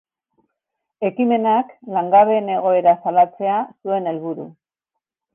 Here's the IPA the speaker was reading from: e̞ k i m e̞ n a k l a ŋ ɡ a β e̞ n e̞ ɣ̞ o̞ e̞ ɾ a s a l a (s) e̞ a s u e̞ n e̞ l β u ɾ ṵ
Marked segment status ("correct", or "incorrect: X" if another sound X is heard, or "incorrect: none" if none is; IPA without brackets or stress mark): incorrect: t͡s